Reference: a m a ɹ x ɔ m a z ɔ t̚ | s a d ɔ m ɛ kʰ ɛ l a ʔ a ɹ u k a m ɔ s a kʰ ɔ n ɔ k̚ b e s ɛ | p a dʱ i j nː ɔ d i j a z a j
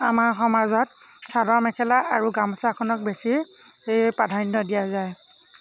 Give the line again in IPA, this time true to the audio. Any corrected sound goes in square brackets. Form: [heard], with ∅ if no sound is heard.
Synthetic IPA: a m a ɹ x ɔ m a z ɔ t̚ | s a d ɔ m ɛ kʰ ɛ l a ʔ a ɹ u [ɡ] a m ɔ s a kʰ ɔ n ɔ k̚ b e s [i] | p a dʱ [a] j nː ɔ d i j a z a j